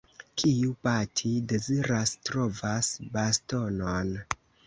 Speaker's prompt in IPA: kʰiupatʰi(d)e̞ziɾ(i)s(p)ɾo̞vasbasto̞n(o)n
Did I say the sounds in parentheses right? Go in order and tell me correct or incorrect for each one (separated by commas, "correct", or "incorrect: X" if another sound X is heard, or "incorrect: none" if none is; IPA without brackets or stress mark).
correct, incorrect: a, incorrect: t, correct